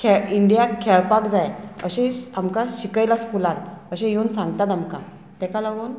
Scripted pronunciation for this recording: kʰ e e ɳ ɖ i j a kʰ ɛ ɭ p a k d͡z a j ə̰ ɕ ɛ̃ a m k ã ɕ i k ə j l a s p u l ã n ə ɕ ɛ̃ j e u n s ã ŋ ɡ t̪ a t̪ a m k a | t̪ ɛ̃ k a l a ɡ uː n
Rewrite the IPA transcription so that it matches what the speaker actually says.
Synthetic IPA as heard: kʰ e i ɳ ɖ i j a kʰ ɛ ɭ p a k d͡z a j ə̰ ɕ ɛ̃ a m k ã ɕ i k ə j l a s k u l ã n ə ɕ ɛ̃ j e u n s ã ŋ ɡ t̪ a t̪ a m k a | t̪ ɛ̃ k a l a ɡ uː n